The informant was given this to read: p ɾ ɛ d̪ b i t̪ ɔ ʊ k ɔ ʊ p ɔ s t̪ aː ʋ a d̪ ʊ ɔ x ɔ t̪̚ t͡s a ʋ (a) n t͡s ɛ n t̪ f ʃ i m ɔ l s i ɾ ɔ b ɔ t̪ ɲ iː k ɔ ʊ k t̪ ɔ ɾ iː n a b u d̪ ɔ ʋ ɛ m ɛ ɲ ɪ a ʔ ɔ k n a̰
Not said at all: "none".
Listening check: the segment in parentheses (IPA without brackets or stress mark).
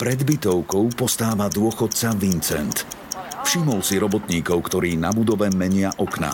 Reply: i